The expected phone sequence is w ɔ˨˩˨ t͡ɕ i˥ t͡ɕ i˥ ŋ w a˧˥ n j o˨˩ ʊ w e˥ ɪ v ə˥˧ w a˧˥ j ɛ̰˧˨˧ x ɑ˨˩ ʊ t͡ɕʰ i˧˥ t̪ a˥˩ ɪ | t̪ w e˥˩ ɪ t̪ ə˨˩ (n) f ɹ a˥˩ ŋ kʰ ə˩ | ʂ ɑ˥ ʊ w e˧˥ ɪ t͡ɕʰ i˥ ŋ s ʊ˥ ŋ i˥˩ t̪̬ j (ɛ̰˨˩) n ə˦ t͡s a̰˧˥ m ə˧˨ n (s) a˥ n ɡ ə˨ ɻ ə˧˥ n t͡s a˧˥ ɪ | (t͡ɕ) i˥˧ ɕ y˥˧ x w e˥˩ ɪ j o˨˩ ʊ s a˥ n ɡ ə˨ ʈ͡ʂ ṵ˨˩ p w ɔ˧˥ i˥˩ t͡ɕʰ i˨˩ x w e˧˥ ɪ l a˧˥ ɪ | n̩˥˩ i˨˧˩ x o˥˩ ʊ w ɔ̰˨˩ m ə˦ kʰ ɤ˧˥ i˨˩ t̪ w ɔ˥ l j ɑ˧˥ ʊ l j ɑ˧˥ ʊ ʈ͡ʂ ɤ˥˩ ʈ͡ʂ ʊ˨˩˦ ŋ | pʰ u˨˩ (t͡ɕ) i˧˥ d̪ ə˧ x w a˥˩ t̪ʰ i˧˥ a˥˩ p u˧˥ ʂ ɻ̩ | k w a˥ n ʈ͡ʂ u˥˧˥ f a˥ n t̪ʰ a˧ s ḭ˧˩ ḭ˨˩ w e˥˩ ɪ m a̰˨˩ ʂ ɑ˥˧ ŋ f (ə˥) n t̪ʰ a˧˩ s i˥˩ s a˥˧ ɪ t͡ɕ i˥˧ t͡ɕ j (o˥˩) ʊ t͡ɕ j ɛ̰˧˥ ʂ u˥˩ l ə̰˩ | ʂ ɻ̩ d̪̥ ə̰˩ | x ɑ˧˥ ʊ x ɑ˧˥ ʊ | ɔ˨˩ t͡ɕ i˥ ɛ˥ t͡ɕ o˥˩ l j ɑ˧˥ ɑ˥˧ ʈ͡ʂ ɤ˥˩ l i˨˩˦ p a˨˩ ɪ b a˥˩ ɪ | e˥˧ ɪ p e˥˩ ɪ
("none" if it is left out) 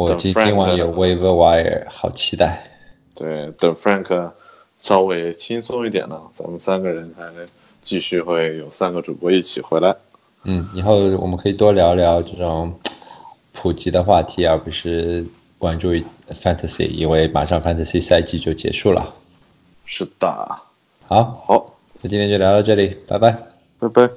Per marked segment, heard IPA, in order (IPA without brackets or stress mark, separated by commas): ŋ, ɛ̰˨˩, s, t͡ɕ, t͡ɕ, a˥, o˥˩